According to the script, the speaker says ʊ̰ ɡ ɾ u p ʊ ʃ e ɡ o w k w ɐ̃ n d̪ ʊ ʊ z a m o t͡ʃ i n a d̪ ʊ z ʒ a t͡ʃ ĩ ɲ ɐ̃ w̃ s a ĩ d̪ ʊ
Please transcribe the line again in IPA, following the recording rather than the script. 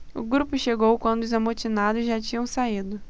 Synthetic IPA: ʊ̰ ɡ ɾ u p ʊ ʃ e ɡ o w k w ɐ̃ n d̪ ʊ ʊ z a m o t͡ʃ i n a d̪ ʊ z ʒ a t͡ʃ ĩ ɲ ɐ̃ w̃ s a i d̪ ʊ